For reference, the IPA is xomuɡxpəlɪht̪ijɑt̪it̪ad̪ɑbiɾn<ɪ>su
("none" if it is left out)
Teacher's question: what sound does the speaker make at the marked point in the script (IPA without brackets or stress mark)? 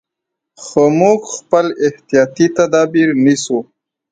i